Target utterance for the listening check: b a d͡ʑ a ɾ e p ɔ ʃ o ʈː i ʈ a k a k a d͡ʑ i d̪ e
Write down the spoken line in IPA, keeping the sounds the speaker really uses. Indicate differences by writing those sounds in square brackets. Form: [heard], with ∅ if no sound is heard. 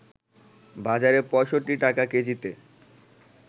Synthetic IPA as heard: b a d͡ʑ a ɾ e p ɔ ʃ o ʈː i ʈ a k a k [e] d͡ʑ i [t̪] e